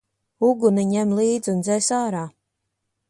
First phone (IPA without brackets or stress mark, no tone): u